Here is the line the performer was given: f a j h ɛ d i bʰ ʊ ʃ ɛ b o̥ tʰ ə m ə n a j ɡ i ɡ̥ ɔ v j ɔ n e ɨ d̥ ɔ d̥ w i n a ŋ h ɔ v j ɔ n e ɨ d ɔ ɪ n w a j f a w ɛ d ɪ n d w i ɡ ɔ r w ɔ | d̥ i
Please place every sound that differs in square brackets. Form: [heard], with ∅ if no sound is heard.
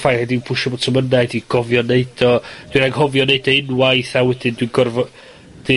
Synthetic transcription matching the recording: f a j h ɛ d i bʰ ʊ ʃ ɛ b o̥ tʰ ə m ə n a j [d] i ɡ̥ ɔ v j ɔ n e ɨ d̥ ɔ d̥ w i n a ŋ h ɔ v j ɔ n e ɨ d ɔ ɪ n w a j [θ] a w ɛ d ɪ n d w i ɡ ɔ r [v] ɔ | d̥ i